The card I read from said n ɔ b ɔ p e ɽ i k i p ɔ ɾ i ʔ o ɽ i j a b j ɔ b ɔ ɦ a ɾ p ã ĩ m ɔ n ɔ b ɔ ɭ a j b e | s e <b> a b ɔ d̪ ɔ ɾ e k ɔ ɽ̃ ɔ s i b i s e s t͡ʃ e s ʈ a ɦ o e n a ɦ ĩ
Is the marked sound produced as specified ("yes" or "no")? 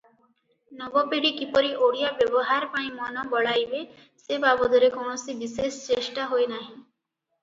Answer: yes